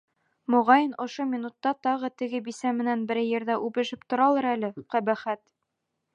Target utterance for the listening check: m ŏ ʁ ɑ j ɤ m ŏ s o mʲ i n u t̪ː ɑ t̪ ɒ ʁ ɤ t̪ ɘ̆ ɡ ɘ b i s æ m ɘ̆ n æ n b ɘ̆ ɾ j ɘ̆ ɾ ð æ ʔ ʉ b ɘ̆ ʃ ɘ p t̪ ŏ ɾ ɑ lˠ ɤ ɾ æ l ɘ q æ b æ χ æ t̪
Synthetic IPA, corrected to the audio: m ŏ ʁ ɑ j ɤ n ŏ ʃ o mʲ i n u t̪ː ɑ t̪ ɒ ʁ ɤ t̪ ɘ̆ ɡ ɘ b i s æ m ɘ̆ n æ n b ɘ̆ ɾ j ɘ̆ ɾ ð æ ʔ ʉ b ɘ̆ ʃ ɘ p t̪ ŏ ɾ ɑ lˠ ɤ ɾ æ l ɘ q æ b æ χ æ t̪